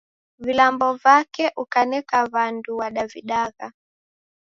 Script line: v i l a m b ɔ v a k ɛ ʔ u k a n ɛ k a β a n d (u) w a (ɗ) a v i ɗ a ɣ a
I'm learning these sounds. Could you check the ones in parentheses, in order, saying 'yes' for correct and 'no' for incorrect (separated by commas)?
yes, yes